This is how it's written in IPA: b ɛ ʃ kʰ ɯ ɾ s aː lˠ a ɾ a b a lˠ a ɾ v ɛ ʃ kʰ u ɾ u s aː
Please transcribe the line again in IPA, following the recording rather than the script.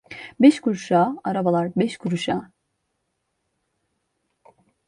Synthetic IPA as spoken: b ɛ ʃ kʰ u ɾ ʃ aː a ɾ a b a lˠ a ɾ b ɛ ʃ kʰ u ɾ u ʃ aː